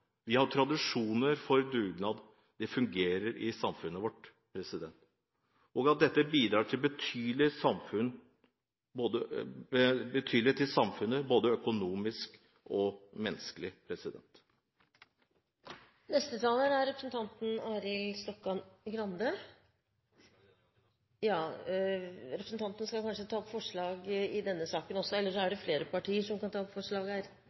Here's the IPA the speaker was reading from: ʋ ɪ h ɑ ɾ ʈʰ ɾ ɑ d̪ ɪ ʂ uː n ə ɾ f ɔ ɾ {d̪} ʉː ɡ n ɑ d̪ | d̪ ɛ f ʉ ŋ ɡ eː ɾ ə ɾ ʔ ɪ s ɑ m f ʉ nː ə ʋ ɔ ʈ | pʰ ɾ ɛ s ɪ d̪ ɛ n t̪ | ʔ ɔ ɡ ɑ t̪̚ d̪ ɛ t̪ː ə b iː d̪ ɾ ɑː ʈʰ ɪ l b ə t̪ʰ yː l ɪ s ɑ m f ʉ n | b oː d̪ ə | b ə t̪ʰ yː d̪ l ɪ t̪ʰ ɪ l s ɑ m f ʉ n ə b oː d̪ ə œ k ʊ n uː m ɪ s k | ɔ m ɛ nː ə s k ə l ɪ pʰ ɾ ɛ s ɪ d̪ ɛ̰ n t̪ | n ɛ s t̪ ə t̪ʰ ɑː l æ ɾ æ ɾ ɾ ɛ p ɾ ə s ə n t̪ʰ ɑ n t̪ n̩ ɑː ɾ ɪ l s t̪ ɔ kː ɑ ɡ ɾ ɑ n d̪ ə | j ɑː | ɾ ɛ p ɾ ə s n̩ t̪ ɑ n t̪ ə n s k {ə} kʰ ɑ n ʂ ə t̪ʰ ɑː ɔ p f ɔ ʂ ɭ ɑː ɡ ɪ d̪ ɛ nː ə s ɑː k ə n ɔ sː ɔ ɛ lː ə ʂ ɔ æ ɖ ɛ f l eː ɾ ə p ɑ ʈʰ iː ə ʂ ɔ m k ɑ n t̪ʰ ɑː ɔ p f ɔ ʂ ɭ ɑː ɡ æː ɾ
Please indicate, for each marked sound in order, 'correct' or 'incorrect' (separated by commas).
correct, incorrect